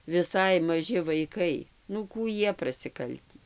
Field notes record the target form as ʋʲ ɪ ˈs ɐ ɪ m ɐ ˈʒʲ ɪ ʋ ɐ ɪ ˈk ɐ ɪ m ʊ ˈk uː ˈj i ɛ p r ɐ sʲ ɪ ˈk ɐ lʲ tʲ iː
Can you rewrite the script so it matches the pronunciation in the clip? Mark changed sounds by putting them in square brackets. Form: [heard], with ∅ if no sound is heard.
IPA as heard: ʋʲ ɪ ˈs ɐ ɪ m ɐ ˈʒʲ ɪ ʋ ɐ ɪ ˈk ɐ ɪ [n] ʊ ˈk uː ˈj i ɛ p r ɐ sʲ ɪ ˈk ɐ lʲ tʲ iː